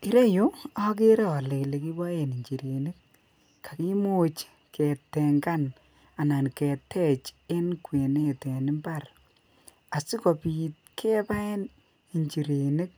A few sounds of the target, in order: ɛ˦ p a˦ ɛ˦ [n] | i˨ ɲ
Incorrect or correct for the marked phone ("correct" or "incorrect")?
correct